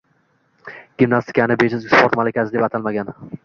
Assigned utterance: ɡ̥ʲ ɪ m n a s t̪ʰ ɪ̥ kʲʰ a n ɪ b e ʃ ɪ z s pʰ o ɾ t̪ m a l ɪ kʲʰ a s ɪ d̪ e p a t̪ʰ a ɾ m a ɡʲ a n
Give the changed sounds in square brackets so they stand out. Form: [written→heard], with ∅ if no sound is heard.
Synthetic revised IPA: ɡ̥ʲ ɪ m n a s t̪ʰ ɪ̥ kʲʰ a n ɪ b e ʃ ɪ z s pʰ o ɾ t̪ m a l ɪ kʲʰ a s ɪ d̪ e p a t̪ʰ a [ɾ→l] m a ɡʲ a n